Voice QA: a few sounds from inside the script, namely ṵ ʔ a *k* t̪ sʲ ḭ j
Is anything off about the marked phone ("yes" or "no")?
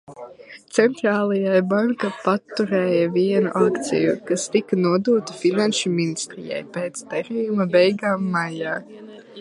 no